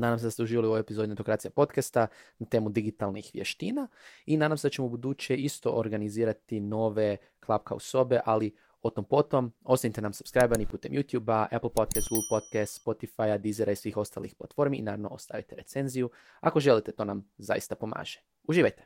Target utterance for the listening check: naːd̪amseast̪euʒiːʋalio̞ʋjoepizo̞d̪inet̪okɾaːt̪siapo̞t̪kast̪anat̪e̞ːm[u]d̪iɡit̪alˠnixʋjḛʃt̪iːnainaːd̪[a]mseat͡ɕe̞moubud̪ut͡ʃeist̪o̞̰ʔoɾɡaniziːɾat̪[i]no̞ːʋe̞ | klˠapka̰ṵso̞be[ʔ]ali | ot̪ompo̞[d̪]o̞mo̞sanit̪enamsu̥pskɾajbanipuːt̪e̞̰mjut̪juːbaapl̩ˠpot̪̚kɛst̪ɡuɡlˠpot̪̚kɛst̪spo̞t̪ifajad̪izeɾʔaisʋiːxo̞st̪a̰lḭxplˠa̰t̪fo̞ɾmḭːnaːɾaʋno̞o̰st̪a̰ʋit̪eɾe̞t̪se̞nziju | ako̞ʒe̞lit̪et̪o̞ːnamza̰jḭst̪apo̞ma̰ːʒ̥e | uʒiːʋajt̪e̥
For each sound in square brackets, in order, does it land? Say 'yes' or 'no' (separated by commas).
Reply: yes, yes, yes, yes, no